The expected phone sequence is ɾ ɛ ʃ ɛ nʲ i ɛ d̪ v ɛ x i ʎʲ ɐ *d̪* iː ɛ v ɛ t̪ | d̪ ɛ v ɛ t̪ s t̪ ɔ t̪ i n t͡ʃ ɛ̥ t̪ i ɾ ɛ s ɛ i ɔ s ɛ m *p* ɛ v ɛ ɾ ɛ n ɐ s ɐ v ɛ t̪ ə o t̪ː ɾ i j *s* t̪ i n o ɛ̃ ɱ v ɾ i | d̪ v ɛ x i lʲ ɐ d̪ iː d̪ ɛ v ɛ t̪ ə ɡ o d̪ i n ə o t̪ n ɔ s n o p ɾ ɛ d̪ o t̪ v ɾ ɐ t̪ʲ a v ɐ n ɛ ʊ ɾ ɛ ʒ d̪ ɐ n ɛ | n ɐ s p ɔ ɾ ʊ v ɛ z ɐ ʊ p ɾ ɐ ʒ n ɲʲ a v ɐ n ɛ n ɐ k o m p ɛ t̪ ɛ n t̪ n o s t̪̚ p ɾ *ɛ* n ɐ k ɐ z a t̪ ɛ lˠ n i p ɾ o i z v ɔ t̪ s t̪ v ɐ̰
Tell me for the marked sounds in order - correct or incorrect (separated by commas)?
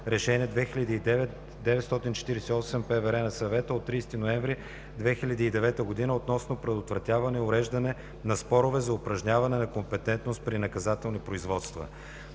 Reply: correct, correct, correct, incorrect